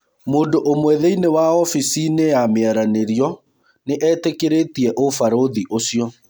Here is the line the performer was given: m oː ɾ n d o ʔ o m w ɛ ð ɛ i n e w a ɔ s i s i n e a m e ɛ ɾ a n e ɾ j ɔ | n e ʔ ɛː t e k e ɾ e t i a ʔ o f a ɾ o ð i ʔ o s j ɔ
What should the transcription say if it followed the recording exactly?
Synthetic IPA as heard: m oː n d o ʔ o m w ɛ ð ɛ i n e w a ɔ f i s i n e a m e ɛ ɾ a n e ɾ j ɔ | n e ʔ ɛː t e k e ɾ e t i ɛ ʔ o f a ɾ o ð i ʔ o s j ɔ